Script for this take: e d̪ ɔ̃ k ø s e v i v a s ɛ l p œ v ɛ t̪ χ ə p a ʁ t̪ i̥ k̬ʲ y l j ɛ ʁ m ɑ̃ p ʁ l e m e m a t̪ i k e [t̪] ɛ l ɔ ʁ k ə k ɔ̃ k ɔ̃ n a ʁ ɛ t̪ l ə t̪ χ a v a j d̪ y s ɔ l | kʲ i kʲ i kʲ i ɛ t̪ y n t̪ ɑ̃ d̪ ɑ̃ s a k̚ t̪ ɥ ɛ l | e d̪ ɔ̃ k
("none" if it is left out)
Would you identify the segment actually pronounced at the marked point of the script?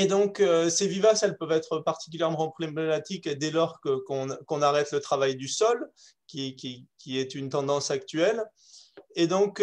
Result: d̪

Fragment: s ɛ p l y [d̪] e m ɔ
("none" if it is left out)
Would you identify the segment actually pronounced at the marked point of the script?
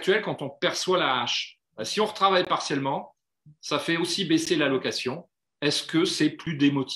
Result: d̪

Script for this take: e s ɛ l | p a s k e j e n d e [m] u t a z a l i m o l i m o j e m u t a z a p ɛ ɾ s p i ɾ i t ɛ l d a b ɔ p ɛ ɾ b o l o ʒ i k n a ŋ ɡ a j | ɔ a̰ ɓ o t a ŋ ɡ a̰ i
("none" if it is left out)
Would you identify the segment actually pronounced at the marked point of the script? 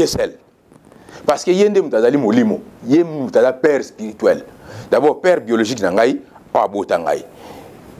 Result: m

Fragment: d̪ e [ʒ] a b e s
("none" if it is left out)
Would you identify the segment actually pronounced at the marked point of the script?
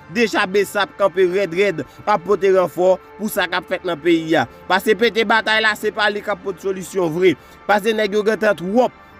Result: ʒ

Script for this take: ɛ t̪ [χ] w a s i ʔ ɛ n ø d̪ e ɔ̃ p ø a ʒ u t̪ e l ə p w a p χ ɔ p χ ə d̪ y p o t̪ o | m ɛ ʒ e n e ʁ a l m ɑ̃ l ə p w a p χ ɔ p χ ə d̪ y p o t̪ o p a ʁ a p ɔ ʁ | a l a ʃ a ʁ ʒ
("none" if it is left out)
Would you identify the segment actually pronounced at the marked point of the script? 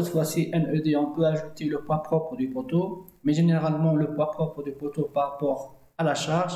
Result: f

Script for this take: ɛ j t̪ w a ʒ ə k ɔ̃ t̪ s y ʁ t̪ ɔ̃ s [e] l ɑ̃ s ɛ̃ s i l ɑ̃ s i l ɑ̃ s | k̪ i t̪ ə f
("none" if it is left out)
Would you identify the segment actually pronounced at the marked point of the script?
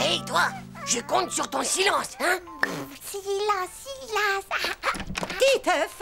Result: i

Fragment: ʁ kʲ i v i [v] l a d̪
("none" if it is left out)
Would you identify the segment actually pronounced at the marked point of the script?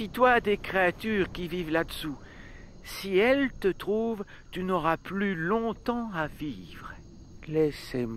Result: v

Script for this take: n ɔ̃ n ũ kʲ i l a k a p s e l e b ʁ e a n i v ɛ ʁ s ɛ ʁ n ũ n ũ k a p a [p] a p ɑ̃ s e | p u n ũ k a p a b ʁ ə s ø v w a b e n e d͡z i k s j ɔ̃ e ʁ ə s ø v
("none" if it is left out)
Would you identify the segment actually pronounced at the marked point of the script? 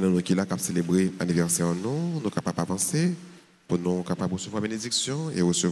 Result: p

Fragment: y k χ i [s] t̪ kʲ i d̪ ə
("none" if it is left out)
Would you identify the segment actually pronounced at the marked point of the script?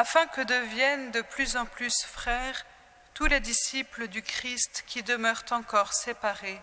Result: s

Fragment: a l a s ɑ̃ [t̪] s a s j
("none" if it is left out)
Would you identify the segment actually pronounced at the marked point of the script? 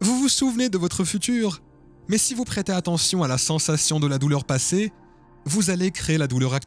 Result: none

